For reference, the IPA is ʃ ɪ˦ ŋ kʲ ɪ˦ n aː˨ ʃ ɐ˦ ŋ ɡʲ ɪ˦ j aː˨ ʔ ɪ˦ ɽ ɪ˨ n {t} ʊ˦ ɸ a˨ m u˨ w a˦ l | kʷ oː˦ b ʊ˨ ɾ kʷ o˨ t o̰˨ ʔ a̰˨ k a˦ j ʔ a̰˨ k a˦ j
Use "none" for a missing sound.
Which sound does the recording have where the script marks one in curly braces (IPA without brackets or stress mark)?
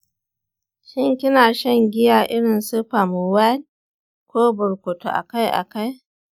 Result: s